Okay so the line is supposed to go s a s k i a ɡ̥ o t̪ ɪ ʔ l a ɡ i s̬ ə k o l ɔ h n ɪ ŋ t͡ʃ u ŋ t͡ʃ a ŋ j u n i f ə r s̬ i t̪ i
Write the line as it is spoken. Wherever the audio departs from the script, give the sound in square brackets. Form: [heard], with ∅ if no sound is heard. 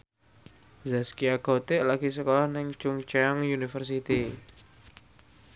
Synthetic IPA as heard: [z] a s k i a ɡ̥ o t̪ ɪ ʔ l a ɡ i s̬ ə k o l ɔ h n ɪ ŋ t͡ʃ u ŋ t͡ʃ a ŋ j u n i f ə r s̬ i t̪ i